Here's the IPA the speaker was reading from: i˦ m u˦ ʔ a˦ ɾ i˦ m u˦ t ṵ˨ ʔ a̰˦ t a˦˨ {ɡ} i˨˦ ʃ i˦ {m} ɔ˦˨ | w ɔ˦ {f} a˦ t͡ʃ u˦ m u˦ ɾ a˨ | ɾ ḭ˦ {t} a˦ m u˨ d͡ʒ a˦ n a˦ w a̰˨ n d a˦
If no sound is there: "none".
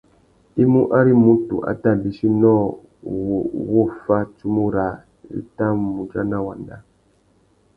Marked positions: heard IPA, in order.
b, n, f, t

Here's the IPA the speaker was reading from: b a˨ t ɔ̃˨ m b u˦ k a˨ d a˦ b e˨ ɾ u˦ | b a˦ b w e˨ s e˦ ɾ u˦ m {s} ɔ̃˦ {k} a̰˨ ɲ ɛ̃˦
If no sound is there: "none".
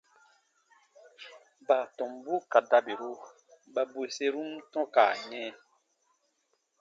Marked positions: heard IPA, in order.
t, k

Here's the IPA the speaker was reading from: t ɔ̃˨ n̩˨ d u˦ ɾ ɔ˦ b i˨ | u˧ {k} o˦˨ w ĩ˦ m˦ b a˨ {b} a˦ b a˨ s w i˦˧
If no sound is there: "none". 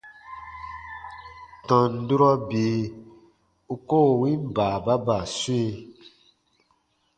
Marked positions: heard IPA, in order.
k, b

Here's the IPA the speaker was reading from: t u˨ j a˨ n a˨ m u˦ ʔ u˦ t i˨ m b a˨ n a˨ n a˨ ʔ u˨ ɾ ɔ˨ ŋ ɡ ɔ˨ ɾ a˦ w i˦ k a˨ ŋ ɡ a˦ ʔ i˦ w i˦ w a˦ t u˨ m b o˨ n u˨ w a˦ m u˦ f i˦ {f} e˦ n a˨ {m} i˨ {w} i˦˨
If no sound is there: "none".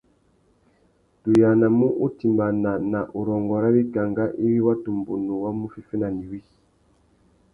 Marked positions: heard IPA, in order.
f, n, w

